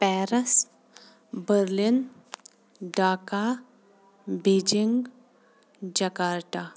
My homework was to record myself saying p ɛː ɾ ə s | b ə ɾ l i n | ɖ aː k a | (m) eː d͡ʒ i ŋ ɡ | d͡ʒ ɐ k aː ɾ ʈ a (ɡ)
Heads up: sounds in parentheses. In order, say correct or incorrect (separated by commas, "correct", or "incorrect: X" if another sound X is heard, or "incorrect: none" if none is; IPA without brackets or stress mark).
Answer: incorrect: b, incorrect: none